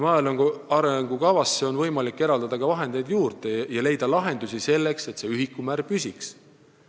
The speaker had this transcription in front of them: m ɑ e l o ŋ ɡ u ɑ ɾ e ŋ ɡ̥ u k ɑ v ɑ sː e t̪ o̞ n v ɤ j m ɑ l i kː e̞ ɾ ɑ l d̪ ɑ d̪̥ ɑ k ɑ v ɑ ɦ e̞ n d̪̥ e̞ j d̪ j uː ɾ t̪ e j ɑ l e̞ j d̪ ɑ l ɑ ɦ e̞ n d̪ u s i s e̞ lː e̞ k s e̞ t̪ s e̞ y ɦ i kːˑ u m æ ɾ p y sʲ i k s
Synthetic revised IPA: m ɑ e l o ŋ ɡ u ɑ ɾ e ŋ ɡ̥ u k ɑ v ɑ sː e o̞ n v ɤ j m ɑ l i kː e̞ ɾ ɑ l d̪ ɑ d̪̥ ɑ k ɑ v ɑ ɦ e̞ n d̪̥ e̞ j d̪ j uː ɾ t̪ e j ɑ l e̞ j d̪ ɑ l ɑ ɦ e̞ n d̪ u s i s e̞ lː e̞ k s e̞ t̪ s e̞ y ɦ i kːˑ u m æ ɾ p y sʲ i k s